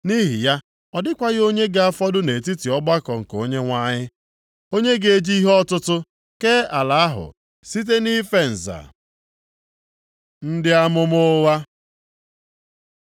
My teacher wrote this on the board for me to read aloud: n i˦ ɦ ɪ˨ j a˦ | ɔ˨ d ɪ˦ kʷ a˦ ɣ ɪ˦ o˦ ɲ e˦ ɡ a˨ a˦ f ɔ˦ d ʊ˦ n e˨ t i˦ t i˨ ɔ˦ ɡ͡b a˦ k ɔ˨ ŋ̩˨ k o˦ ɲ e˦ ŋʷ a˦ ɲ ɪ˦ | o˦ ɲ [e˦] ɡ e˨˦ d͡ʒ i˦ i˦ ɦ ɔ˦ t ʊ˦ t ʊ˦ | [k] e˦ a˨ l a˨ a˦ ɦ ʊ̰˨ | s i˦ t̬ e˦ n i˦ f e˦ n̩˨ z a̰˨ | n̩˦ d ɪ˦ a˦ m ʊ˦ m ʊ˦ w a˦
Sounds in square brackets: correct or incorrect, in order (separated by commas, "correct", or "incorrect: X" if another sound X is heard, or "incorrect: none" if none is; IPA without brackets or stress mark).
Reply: correct, correct